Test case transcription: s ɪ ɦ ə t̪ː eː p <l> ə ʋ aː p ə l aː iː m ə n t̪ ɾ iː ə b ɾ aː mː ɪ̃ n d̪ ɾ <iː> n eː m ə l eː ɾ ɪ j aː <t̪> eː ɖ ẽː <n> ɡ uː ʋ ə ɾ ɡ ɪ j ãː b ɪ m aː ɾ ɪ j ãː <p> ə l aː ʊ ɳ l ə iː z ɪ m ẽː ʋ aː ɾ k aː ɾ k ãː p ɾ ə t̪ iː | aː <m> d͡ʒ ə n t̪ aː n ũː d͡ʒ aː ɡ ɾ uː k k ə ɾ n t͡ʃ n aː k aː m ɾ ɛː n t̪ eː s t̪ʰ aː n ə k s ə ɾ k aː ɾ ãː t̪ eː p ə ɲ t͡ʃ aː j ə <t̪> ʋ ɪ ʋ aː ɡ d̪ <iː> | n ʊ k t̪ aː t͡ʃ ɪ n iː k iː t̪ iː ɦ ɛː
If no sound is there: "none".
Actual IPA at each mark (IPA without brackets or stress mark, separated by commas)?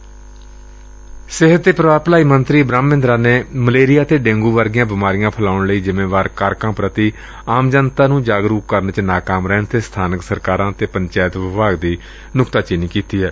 ɾ, aː, t̪, ŋ, pʰ, m, t̪, iː